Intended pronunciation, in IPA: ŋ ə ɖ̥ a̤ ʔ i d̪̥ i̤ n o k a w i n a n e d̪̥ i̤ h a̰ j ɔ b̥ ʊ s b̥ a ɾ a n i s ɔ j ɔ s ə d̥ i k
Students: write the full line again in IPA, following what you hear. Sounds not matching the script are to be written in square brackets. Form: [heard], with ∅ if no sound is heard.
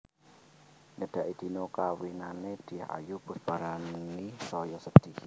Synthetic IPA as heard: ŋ ə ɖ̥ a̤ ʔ i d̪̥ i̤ n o k a w i n a n e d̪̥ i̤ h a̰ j [u] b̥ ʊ s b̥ a ɾ a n i s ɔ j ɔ s ə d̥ i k